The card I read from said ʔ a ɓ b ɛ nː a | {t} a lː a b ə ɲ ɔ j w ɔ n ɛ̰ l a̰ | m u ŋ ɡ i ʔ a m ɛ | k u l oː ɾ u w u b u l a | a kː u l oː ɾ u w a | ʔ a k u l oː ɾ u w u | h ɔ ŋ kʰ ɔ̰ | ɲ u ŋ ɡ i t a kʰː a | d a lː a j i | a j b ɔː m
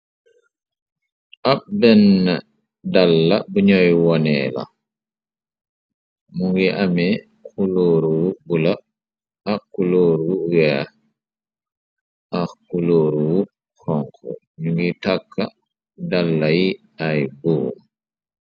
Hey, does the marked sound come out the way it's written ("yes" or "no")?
no